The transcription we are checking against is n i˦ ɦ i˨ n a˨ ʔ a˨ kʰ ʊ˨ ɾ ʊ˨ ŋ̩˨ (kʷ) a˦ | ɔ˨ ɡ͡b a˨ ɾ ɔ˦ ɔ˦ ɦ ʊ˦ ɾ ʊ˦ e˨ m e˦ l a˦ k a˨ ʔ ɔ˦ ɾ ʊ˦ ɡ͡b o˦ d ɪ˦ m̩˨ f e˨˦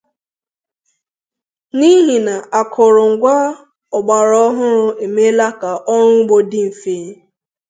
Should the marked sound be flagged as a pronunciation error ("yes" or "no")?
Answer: yes